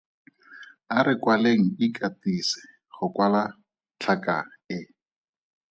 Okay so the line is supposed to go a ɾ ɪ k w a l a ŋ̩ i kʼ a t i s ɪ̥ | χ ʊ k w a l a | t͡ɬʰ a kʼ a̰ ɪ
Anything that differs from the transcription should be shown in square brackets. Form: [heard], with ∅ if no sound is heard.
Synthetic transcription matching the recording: a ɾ ɪ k w a l [e] ŋ̩ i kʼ a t i s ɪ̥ | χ ʊ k w a l a | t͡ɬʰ a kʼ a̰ ɪ